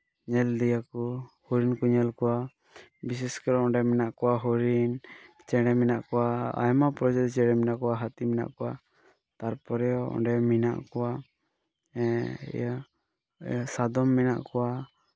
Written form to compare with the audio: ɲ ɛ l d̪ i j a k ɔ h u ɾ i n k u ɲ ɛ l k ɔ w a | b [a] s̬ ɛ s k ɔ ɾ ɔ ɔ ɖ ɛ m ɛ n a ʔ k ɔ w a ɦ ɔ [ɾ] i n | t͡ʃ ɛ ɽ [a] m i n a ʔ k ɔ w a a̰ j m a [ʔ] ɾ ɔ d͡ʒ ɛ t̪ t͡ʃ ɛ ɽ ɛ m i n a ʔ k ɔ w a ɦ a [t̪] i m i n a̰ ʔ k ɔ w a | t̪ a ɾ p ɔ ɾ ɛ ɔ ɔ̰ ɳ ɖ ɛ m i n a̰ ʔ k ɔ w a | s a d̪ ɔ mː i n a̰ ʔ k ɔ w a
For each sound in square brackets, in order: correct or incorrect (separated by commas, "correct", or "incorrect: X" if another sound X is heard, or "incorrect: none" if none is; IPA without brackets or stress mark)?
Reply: incorrect: i, correct, incorrect: ɛ, incorrect: p, correct